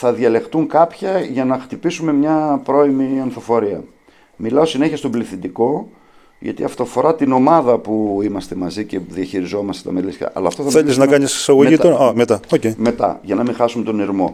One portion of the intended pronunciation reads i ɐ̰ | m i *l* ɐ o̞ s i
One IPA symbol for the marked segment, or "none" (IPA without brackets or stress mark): l